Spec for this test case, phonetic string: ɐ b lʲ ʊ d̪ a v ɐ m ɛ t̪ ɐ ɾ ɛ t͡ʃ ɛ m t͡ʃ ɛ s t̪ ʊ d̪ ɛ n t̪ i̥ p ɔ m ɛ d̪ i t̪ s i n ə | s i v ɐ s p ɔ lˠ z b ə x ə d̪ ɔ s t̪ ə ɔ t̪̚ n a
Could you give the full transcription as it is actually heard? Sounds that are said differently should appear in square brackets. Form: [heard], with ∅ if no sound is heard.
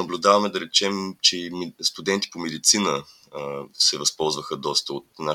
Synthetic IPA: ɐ b lʲ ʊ d̪ a v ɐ m ɛ [d̪] ɐ ɾ ɛ t͡ʃ ɛ m t͡ʃ ɛ s t̪ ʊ d̪ ɛ n t̪ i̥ p [o] m ɛ d̪ i t̪ s i n ə | s [ɛ] v ɐ s p ɔ lˠ z [v] ə x ə d̪ ɔ s t̪ ə [o] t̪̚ n a